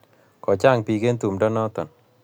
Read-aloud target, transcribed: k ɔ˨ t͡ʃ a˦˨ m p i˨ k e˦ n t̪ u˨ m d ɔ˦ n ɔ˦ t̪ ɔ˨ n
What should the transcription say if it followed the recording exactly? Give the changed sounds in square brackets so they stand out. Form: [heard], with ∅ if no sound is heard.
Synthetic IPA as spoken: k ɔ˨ t͡ʃ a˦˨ [ŋ] p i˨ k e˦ n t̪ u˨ m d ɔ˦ n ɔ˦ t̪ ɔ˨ n